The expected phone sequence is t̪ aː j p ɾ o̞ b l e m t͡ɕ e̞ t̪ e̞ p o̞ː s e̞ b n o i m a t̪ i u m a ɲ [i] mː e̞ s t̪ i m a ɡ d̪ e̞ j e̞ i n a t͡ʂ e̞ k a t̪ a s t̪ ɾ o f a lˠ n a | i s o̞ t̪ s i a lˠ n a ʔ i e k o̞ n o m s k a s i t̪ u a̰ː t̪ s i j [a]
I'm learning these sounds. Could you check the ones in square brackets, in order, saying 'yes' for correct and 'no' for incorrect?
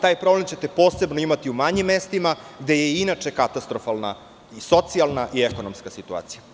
yes, yes

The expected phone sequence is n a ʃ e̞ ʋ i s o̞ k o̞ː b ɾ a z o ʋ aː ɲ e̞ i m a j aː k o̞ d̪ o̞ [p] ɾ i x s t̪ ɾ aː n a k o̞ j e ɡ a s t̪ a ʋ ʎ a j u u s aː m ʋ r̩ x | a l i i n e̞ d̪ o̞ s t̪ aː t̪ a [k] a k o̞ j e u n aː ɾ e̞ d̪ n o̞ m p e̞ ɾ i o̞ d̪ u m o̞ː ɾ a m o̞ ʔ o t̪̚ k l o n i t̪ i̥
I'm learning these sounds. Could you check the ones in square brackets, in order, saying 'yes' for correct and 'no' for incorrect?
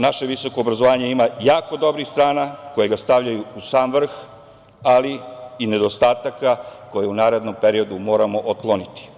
no, yes

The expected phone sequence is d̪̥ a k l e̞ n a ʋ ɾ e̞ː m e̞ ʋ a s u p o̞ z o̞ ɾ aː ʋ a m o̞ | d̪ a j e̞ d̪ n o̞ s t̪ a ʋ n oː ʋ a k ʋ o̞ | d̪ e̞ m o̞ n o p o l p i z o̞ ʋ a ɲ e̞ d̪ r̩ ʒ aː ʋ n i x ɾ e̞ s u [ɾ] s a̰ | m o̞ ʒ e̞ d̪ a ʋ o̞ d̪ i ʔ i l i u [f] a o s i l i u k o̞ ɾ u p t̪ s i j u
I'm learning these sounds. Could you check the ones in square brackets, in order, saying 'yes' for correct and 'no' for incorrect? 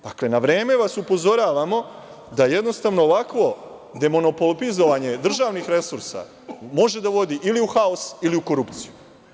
yes, no

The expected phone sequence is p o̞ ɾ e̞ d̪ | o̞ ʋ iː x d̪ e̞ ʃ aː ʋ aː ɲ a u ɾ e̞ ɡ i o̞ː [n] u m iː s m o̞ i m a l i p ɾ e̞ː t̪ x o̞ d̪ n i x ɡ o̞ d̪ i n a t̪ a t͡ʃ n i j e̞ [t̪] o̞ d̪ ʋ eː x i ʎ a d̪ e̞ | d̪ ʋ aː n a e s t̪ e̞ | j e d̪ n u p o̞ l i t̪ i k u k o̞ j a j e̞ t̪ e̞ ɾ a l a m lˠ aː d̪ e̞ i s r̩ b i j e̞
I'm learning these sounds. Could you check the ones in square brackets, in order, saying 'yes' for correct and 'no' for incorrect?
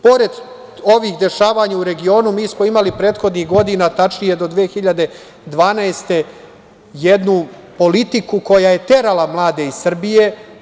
yes, no

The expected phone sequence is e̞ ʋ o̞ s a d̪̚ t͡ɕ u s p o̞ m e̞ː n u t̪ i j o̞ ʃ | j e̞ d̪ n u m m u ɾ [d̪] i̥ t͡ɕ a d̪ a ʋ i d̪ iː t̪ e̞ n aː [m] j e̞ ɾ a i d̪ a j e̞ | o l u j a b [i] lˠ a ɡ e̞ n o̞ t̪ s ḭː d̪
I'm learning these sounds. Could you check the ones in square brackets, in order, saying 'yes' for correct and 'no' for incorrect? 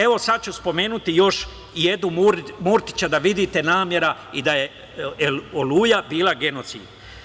no, yes, no

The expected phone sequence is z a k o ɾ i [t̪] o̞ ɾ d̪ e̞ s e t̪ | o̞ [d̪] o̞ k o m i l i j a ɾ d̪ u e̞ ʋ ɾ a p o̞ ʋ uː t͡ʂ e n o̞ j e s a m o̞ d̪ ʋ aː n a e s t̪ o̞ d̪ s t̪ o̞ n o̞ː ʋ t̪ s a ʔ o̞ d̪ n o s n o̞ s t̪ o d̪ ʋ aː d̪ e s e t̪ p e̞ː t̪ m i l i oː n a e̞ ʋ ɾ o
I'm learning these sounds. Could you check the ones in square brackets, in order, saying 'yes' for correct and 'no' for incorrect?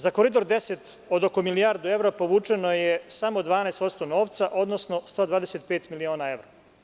no, yes

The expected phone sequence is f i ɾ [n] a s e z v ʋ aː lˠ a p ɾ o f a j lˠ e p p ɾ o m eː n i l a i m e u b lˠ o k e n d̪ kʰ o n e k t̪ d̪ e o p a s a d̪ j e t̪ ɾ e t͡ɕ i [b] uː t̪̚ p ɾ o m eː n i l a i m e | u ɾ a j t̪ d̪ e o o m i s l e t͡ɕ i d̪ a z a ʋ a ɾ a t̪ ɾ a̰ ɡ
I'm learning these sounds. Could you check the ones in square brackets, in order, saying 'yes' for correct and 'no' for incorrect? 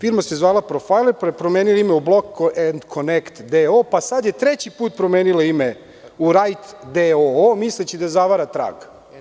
no, no

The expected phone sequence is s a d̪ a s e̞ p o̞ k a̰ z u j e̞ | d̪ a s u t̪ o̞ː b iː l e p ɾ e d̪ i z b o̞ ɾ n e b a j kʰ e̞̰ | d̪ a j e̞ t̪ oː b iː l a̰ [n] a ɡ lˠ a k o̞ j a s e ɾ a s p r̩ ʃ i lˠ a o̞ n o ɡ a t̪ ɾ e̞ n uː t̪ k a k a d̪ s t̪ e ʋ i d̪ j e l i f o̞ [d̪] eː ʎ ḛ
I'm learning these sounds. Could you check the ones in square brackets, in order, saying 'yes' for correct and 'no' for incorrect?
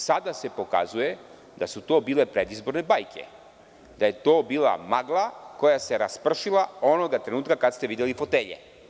no, no

